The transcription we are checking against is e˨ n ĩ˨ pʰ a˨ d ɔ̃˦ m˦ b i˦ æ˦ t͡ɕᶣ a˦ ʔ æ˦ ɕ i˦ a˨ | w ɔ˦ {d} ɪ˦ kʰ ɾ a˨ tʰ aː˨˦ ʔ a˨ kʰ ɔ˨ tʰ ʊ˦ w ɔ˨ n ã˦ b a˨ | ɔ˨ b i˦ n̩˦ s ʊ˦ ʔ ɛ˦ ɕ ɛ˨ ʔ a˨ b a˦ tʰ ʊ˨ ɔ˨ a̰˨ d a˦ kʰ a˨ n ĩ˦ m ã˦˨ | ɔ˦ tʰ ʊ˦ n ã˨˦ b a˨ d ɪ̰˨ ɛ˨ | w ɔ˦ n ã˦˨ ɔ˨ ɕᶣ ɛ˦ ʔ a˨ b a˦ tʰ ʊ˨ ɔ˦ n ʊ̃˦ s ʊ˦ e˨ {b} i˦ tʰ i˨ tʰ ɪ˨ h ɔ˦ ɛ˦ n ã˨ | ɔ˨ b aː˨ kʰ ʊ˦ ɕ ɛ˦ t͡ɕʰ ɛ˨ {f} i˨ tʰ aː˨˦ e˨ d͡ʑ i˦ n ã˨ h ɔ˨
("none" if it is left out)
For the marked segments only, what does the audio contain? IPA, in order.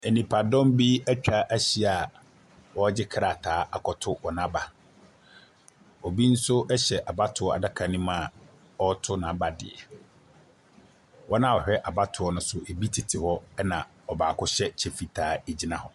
d͡ʑ, b, f

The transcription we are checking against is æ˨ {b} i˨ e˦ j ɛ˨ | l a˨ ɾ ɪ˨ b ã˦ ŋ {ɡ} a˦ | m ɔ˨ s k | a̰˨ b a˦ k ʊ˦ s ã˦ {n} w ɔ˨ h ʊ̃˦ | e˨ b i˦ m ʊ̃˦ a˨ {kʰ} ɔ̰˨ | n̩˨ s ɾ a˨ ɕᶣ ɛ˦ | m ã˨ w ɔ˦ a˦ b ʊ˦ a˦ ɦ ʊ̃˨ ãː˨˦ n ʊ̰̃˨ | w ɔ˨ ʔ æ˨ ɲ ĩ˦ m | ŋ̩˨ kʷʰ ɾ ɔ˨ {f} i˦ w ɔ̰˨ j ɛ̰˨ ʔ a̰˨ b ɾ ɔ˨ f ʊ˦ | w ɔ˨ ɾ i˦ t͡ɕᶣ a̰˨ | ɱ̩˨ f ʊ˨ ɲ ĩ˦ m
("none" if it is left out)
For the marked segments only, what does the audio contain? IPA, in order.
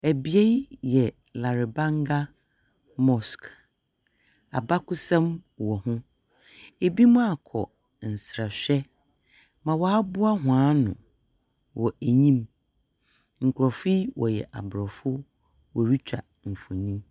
b, ɡ, m, kʰ, f

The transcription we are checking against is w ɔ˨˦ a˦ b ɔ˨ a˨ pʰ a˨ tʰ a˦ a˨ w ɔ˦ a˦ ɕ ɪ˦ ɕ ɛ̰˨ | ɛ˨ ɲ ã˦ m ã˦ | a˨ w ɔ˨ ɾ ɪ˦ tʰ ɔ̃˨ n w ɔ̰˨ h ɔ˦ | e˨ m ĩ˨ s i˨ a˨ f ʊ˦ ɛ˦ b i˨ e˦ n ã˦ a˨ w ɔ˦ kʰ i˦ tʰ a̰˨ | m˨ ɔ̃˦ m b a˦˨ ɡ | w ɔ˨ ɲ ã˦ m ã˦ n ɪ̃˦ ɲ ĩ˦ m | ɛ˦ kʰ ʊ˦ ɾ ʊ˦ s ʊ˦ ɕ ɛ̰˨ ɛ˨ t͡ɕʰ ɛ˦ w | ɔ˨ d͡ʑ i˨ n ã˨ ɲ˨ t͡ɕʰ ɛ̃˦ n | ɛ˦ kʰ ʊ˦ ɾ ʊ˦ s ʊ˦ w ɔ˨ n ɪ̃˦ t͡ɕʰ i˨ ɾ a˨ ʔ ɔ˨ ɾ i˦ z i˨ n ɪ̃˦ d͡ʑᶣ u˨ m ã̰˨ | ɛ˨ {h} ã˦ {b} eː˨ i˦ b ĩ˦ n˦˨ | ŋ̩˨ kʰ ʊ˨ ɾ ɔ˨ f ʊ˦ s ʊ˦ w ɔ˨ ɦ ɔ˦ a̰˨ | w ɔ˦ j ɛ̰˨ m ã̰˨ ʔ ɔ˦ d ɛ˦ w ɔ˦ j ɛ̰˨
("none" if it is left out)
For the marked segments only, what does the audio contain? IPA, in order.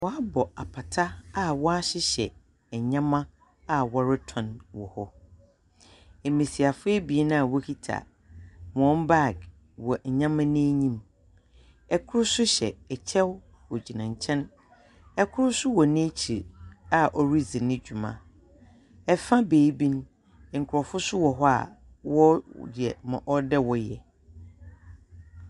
f, b

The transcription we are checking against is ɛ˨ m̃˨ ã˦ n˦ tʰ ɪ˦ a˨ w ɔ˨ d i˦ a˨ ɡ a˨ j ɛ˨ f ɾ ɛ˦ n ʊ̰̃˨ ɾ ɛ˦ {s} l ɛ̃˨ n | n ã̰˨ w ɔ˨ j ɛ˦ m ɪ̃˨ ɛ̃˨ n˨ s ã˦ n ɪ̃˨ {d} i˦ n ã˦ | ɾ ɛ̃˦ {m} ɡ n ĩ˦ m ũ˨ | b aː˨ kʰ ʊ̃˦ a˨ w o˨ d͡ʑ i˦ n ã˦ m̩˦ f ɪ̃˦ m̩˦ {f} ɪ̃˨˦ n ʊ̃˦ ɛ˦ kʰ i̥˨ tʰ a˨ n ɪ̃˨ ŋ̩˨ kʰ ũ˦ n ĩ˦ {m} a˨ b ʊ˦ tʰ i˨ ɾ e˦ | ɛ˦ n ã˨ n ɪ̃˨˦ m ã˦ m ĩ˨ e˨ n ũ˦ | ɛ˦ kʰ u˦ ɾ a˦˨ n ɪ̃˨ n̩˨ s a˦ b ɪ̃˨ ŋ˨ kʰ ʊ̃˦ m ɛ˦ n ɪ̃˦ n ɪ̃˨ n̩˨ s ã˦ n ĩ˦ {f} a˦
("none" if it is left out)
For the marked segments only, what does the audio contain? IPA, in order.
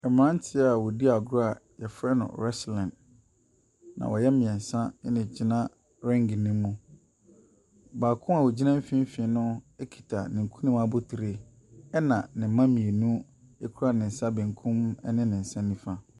s, d͡ʑ, ŋ, f, m, f

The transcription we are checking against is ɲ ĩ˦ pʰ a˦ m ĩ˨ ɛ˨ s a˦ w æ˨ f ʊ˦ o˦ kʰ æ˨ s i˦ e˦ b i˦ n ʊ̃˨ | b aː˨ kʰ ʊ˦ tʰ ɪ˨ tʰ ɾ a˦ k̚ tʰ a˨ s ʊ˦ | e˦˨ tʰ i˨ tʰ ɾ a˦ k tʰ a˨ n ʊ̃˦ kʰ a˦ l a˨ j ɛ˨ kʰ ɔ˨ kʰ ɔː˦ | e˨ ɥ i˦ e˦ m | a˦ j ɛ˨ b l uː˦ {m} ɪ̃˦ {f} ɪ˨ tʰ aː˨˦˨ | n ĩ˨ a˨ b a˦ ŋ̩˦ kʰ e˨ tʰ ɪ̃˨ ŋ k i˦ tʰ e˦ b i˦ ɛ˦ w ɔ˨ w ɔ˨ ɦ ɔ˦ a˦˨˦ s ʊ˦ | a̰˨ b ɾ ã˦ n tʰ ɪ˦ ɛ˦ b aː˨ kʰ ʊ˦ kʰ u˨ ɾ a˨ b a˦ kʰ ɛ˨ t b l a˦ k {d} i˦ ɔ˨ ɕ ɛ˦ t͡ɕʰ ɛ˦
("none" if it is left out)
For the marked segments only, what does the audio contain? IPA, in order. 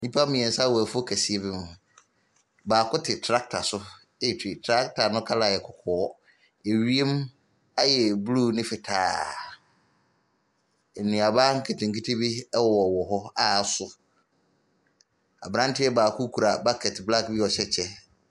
n, f, b

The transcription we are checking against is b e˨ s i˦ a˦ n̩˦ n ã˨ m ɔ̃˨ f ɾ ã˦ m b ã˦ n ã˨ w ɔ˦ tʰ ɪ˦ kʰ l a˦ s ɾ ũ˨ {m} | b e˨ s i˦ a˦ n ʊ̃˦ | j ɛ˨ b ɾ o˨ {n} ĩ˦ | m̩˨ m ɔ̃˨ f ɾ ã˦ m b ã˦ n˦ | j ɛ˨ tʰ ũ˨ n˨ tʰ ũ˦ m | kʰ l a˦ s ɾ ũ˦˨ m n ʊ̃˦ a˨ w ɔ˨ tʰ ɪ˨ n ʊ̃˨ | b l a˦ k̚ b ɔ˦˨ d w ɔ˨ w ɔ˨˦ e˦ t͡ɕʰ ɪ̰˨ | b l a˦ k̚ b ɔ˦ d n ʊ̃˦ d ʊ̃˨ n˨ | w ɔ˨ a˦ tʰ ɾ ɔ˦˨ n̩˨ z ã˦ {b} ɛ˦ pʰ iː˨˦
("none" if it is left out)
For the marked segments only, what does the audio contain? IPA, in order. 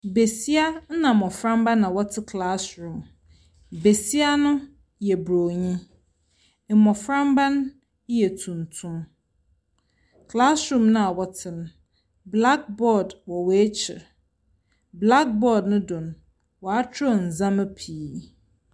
m, ɲ, m

